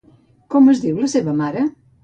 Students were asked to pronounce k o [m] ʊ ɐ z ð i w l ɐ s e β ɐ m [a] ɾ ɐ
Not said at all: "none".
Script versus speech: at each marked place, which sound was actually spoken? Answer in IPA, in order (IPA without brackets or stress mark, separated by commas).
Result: m, a